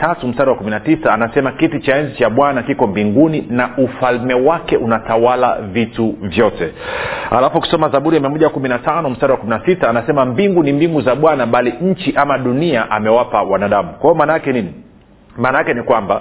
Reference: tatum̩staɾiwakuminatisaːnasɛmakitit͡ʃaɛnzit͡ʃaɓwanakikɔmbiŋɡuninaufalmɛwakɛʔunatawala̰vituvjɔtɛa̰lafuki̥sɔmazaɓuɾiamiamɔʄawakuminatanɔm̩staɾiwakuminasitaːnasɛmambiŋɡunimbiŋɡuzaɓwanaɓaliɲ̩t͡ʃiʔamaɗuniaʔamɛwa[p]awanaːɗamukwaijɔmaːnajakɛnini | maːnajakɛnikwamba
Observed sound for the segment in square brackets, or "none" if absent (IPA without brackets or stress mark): p